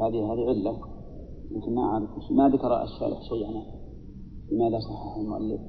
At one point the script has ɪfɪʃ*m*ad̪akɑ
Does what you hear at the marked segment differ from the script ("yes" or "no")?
no